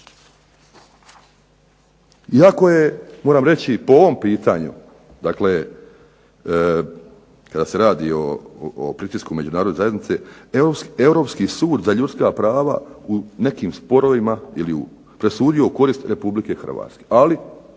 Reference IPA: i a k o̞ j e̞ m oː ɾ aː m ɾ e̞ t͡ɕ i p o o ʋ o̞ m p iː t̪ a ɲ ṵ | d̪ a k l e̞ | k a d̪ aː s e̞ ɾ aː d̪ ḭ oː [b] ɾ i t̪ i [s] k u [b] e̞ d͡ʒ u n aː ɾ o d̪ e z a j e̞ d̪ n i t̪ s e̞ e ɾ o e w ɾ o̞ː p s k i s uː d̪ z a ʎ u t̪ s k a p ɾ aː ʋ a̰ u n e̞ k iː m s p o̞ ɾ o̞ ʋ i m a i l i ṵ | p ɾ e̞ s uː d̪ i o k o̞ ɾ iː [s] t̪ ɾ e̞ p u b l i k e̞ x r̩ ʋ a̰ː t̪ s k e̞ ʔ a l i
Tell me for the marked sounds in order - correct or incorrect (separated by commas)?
incorrect, correct, incorrect, correct